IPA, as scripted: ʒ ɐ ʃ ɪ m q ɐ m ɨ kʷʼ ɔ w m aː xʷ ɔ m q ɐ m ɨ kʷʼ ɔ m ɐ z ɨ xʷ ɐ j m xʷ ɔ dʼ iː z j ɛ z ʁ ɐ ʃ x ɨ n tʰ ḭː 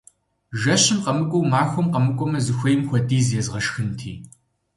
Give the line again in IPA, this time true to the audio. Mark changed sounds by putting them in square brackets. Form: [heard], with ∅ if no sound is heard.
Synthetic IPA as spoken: ʒ ɐ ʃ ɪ m q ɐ m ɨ kʷʼ ɔ w m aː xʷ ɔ m q ɐ m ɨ kʷʼ ɔ m ɐ z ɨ xʷ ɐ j m xʷ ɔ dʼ iː z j ɛ z ʁ ɐ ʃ x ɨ n tʰ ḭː